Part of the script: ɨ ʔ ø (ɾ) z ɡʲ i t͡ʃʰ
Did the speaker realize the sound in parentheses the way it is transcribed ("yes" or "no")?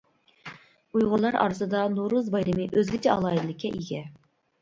no